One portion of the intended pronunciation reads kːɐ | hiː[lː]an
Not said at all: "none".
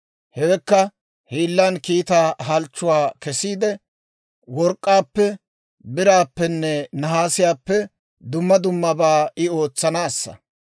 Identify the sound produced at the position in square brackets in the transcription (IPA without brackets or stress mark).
lː